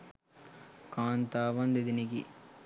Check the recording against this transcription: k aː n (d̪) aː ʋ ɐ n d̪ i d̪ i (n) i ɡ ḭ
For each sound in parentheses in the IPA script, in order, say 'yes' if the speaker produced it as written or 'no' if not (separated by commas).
no, yes